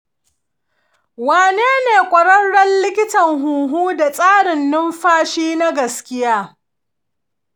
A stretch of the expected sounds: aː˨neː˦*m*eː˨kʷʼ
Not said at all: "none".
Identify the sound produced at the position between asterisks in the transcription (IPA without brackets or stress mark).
n